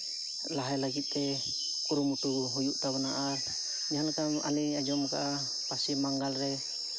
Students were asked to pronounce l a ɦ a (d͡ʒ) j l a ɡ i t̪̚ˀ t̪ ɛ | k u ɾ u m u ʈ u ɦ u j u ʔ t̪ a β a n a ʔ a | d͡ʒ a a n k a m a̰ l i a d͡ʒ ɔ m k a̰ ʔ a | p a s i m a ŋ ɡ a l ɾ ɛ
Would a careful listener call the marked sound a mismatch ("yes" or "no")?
yes